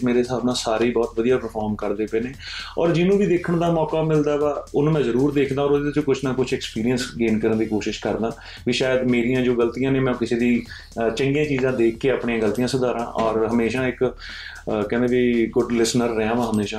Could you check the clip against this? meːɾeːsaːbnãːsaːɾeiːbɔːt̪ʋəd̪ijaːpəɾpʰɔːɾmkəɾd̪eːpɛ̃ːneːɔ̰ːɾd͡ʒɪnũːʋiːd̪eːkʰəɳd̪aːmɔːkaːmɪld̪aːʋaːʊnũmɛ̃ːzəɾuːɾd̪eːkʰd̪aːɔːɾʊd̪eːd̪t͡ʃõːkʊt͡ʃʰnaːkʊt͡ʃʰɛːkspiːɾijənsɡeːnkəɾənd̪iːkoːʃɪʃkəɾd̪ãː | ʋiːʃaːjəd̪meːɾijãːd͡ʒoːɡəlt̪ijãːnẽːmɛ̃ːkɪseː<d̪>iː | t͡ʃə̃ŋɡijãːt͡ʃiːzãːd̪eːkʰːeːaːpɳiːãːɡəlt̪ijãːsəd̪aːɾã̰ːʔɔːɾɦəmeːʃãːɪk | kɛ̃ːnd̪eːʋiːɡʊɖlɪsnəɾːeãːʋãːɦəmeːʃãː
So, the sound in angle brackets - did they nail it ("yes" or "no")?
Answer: yes